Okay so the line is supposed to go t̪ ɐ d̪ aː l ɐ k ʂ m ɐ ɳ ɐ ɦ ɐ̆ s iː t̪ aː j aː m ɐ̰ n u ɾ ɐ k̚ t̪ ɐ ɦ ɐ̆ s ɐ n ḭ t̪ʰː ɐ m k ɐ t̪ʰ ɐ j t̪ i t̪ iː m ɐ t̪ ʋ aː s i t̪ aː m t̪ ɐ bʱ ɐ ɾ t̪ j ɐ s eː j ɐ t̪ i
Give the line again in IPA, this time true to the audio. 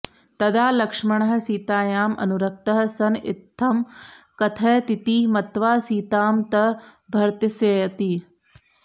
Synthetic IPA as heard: t̪ ɐ d̪ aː l ɐ k ʂ m ɐ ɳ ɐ ɦ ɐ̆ s iː t̪ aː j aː m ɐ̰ n u ɾ ɐ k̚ t̪ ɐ ɦ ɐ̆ s ɐ n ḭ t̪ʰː ɐ m k ɐ t̪ʰ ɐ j t̪ i t̪ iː m ɐ t̪ ʋ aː s iː t̪ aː m t̪ ɐ bʱ ɐ ɾ t̪ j ɐ s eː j ɐ t̪ i